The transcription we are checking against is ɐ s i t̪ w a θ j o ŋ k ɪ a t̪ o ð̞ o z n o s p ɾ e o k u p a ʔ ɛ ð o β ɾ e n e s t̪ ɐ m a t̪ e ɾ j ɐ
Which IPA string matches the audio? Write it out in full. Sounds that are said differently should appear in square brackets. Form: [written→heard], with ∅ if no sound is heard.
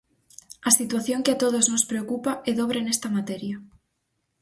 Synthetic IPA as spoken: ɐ s i t̪ w a θ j o ŋ k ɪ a t̪ o ð̞ o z n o s p ɾ e o k u p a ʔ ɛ ð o β ɾ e n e s t̪ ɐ m a t̪ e ɾ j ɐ

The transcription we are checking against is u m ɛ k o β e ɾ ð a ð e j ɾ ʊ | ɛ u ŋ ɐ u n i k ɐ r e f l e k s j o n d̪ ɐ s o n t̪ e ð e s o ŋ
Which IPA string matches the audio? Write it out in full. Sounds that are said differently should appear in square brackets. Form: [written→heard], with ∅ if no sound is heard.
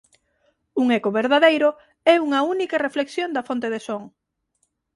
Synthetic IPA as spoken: u [m→ŋ] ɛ k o β e ɾ ð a ð e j ɾ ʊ | ɛ u ŋ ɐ u n i k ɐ r e f l e k s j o n d̪ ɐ [s→f] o n t̪ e ð e s o ŋ

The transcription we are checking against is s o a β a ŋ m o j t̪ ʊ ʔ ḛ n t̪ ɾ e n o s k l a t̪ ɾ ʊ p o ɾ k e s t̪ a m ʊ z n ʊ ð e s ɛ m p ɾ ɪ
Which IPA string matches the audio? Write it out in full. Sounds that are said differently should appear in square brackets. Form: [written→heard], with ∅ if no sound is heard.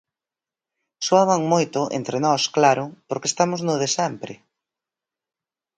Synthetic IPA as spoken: s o a β a ŋ m o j t̪ ʊ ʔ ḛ n t̪ ɾ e n [o→ɔ] s k l a [t̪→∅] ɾ ʊ p o ɾ k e s t̪ a m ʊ z n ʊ ð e s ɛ m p ɾ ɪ

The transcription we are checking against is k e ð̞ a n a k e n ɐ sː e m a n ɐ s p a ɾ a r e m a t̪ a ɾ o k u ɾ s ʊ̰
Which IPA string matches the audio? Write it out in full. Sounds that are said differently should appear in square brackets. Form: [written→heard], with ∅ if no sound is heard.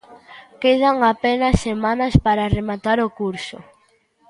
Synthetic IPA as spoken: k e ð̞ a [n→ŋ] a [k→p] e n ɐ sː e m a n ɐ s p a ɾ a r e m a t̪ a ɾ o k u ɾ s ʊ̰

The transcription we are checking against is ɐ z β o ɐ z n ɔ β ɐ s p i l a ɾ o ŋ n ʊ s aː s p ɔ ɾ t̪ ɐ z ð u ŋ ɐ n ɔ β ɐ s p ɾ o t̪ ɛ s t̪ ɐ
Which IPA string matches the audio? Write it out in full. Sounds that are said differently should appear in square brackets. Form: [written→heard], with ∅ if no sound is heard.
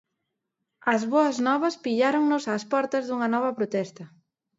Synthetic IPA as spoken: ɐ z β o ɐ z n ɔ β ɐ s p i [l→ʎ] a ɾ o ŋ n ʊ s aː s p ɔ ɾ t̪ ɐ z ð u ŋ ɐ n ɔ β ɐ [s→∅] p ɾ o t̪ ɛ s t̪ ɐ

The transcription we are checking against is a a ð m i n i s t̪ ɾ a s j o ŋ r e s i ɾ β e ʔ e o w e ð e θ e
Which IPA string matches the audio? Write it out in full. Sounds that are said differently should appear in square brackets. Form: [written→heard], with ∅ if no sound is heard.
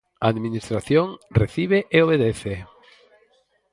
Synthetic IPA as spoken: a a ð m i n i s t̪ ɾ a [s→θ] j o ŋ r e [s→θ] i [ɾ→∅] β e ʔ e o [w→β] e ð e θ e

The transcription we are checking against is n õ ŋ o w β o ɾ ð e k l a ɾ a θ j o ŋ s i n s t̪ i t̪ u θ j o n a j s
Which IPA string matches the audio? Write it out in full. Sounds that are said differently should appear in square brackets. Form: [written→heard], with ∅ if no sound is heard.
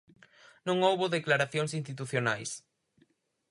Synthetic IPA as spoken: n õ ŋ o w β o [ɾ→∅] ð e k l a ɾ a θ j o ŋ s i n s t̪ i t̪ u θ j o n a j s

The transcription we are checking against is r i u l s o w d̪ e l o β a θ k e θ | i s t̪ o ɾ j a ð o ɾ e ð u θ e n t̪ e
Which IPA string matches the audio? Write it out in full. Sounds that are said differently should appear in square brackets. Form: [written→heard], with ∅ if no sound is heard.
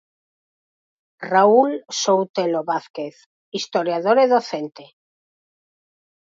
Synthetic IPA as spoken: r [i→a] u l s o w [d̪→t̪] e l o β a θ k e θ | i s t̪ o ɾ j a ð o ɾ e ð [u→o] θ e n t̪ e

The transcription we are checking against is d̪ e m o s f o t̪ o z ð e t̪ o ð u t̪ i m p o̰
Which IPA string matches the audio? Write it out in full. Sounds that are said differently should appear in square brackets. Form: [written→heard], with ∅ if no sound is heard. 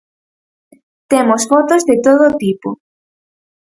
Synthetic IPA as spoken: [d̪→t̪] e m o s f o t̪ o z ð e t̪ o ð [u→o] t̪ i [m→∅] p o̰

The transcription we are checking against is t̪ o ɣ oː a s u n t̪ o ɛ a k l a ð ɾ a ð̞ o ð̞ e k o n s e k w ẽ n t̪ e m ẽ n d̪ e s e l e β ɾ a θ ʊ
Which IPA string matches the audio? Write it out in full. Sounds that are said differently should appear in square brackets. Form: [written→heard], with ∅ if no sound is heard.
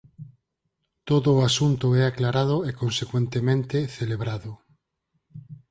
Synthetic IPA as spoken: t̪ o [ɣ→ð] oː a s u n t̪ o ɛ a k l a [ð→∅] ɾ a ð̞ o [ð̞→∅] e k o n s e k w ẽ n t̪ e m ẽ n [d̪→t̪] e [s→θ] e l e β ɾ a [θ→ð] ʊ

